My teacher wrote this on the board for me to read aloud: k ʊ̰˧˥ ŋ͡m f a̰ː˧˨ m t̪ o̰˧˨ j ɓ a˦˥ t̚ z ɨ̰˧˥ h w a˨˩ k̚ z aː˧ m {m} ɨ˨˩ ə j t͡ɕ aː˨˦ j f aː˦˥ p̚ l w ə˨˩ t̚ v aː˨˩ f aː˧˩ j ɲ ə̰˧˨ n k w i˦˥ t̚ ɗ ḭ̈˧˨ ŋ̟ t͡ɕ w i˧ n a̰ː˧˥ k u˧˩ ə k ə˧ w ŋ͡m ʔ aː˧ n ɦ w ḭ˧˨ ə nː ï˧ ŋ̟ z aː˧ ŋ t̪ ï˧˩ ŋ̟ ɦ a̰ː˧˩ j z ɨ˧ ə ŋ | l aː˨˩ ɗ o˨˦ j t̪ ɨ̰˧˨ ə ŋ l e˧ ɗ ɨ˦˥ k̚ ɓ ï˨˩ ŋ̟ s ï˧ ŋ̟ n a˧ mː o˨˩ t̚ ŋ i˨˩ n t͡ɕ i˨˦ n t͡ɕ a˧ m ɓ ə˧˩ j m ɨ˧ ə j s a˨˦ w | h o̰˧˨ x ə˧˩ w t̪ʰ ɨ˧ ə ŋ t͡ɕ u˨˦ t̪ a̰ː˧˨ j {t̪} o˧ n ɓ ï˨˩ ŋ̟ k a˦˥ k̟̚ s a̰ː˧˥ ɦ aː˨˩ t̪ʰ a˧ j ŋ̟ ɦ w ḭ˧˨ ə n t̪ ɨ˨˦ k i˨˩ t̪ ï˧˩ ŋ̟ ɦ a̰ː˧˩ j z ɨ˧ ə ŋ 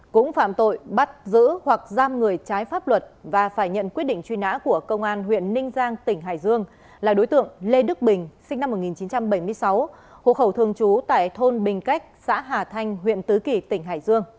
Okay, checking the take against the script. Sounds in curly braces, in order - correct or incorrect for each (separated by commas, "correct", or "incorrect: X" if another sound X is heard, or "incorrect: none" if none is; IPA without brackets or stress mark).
incorrect: ŋ, incorrect: t̪ʰ